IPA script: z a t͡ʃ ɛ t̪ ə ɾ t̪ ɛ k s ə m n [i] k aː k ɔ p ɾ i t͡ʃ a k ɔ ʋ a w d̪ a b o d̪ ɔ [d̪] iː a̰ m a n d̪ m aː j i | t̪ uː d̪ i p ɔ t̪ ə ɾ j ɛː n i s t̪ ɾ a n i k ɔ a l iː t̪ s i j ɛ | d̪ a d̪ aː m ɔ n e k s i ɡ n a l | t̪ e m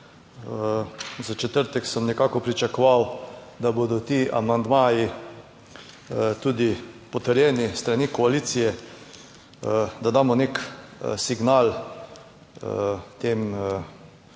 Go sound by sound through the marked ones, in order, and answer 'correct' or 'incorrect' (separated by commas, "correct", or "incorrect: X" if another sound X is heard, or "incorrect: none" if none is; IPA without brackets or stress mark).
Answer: incorrect: ɛ, incorrect: t̪